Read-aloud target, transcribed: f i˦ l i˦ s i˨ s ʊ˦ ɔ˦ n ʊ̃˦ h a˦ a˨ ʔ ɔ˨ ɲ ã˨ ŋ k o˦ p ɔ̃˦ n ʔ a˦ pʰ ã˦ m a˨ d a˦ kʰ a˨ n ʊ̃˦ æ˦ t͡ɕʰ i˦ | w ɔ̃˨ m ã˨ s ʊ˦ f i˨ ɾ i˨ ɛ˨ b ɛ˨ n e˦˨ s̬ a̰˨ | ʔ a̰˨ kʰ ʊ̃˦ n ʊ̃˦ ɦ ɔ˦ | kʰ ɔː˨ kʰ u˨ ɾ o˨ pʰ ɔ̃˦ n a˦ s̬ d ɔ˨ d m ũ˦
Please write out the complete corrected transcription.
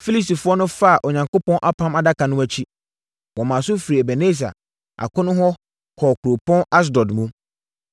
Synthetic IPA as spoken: f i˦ l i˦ s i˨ f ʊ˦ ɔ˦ n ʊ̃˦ f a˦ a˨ ʔ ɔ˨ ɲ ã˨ ŋ k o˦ p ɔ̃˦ n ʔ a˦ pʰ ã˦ m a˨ d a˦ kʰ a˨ n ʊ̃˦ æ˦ t͡ɕʰ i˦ | w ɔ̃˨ m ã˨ s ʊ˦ f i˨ ɾ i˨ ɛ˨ b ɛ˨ n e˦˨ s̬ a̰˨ | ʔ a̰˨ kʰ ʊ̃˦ n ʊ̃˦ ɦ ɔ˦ | kʰ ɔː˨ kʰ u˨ ɾ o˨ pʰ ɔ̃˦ n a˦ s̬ d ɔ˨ d m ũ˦